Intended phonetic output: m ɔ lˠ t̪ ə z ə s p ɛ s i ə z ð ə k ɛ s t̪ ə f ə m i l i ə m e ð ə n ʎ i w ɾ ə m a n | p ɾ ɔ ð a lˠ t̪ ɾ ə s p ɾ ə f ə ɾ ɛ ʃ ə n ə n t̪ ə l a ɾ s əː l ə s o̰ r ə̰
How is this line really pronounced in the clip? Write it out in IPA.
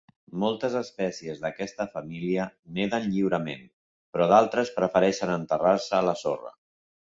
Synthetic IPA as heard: m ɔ lˠ t̪ ə z ə s p ɛ s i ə z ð ə k ɛ s t̪ ə f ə m i l i ə n e ð ə n ʎ i w ɾ ə m e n | p ɾ ɔ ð a lˠ t̪ ɾ ə s p ɾ ə f ə ɾ ɛ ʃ ə n ə n t̪ ə r a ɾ s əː l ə s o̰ r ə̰